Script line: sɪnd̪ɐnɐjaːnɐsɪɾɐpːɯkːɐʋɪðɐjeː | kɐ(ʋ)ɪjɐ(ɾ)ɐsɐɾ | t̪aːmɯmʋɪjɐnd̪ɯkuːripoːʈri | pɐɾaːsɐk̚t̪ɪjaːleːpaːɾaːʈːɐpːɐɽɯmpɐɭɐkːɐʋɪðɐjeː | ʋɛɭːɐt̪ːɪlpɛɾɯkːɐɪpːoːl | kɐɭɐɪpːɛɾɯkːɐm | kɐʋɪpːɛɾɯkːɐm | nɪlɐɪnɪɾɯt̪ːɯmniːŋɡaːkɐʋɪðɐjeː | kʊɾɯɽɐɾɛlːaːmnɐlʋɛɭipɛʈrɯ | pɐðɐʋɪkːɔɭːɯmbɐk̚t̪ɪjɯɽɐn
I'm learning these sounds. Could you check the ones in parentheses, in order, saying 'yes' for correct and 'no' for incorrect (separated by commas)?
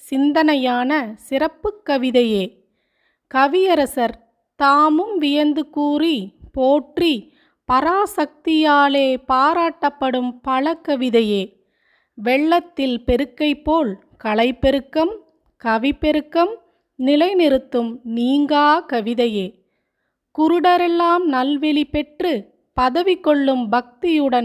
yes, yes